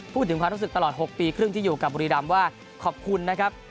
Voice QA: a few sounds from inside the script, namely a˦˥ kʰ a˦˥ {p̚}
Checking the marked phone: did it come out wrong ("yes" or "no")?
no